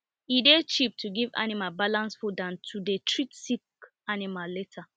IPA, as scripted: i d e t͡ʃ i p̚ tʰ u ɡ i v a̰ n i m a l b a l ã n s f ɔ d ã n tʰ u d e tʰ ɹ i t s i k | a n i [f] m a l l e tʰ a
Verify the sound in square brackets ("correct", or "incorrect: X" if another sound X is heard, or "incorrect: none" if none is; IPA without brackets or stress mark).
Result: incorrect: none